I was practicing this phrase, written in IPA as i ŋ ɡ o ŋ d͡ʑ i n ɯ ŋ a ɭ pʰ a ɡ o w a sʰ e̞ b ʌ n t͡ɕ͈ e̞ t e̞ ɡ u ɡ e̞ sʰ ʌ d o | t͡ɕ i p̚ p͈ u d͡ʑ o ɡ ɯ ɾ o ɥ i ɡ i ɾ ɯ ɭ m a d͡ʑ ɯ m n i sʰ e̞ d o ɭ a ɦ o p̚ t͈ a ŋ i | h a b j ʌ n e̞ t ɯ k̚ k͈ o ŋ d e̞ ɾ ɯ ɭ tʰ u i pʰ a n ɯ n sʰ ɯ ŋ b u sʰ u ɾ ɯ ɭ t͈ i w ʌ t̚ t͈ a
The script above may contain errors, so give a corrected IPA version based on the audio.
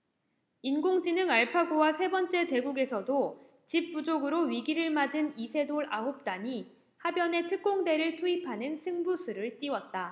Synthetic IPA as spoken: i n ɡ o ŋ d͡ʑ i n ɯ ŋ a ɭ pʰ a ɡ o w a sʰ e̞ b ʌ n t͡ɕ͈ e̞ t e̞ ɡ u ɡ e̞ sʰ ʌ d o | t͡ɕ i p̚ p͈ u d͡ʑ o ɡ ɯ ɾ o ɥ i ɡ i ɾ ɯ ɭ m a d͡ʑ ɯ n i sʰ e̞ d o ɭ a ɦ o p̚ t͈ a ɲ i | h a b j ʌ n e̞ tʰ ɯ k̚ k͈ o ŋ d e̞ ɾ ɯ ɭ tʰ u i pʰ a n ɯ n sʰ ɯ ŋ b u sʰ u ɾ ɯ ɭ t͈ i w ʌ t̚ t͈ a

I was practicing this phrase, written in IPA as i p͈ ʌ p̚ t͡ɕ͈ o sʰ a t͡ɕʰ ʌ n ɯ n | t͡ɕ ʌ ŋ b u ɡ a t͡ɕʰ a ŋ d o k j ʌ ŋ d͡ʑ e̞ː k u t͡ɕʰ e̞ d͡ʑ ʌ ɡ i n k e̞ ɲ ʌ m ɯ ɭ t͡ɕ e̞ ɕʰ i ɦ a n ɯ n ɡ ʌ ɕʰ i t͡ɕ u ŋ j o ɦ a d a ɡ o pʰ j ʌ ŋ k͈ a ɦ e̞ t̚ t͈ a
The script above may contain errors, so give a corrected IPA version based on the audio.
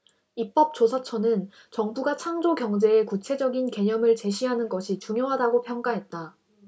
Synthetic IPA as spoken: i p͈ ʌ p̚ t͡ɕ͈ o sʰ a t͡ɕʰ ʌ n ɯ n | t͡ɕ ʌ ŋ b u ɡ a t͡ɕʰ a ŋ d͡ʑ o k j ʌ ŋ d͡ʑ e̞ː k u t͡ɕʰ e̞ d͡ʑ ʌ ɡ i n k e̞ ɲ ʌ m ɯ ɭ t͡ɕ e̞ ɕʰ i ɦ a n ɯ n ɡ ʌ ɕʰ i t͡ɕ u ŋ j o ɦ a d a ɡ o pʰ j ʌ ŋ k͈ a ɦ e̞ t̚ t͈ a

